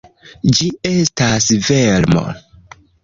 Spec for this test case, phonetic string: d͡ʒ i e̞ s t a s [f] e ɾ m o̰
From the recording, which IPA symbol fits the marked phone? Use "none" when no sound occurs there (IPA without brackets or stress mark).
v